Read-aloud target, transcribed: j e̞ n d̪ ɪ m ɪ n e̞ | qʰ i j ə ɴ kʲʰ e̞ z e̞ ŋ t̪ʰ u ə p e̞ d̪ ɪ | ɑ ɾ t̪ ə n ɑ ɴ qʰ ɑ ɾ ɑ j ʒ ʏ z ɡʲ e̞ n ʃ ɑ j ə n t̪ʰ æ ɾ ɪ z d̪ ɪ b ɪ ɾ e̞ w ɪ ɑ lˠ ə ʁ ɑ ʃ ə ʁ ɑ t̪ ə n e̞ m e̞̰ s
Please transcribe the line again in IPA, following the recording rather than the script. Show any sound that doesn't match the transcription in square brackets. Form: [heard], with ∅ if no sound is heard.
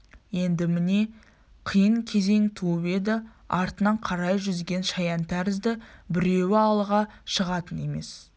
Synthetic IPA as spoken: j e̞ n d̪ ɪ m ɪ n e̞ | qʰ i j ə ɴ kʲʰ e̞ z e̞ ŋ t̪ʰ u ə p e̞ d̪ ɪ | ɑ ɾ t̪ ə n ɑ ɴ qʰ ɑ ɾ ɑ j ʒ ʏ z ɡʲ e̞ n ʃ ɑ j [ɑ] n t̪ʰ æ ɾ ɪ z d̪ ɪ b ɪ ɾ e̞ w ɪ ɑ lˠ ə ʁ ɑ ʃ ə ʁ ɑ t̪ ə n e̞ m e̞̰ s